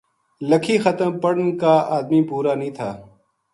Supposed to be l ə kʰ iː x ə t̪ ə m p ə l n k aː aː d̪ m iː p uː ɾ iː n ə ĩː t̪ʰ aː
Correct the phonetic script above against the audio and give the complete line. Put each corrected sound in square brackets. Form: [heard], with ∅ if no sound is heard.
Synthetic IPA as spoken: l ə kʰ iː x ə t̪ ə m p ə [ɽ] n k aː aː d̪ m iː p uː ɾ [aː] n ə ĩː t̪ʰ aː